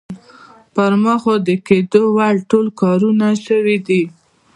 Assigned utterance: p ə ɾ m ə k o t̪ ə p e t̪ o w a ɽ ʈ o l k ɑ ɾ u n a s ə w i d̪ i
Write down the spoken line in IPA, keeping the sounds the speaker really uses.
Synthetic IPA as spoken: p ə ɾ m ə x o d̪ ə k e d̪ o w a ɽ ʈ o l k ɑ ɾ u n a ʃ ə w i d̪ i